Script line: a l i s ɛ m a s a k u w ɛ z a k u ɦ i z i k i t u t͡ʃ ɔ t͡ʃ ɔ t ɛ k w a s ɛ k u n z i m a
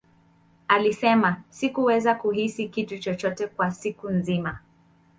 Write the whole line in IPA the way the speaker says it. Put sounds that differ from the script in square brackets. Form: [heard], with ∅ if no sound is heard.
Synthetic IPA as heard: a l i s ɛ m a s [i] k u w ɛ z a k u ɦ i [s] i k i t u t͡ʃ ɔ t͡ʃ ɔ t ɛ k w a s [i] k u n z i m a